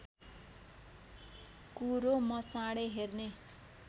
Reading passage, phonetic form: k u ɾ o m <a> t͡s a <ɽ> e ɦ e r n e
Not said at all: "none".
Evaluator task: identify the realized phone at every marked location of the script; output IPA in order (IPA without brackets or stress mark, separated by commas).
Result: ʌ, ɽ